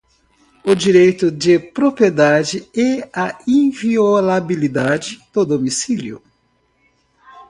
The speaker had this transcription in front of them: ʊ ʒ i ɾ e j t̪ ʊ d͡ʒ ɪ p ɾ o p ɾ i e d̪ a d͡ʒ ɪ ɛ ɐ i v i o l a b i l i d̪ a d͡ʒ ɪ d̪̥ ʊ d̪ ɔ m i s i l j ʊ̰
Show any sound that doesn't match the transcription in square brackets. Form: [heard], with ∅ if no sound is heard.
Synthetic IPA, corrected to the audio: ʊ [d͡ʒ] i ɾ e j t̪ ʊ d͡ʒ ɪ p ɾ o p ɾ i e d̪ a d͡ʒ ɪ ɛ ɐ [ĩ] v i o l a b i l i d̪ a d͡ʒ ɪ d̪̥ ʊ d̪ [o] m i s i l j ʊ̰